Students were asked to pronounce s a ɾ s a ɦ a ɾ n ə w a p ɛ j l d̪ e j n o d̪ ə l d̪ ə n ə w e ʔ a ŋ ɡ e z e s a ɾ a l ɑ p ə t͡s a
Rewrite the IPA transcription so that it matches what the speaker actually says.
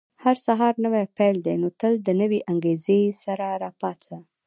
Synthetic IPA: h a ɾ s a ɦ ɑ ɾ n ə w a p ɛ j l d̪ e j n o t̪ ə l d̪ ə n ə w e ʔ a ŋ ɡ e z e s a ɾ a ɾ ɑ p ɑ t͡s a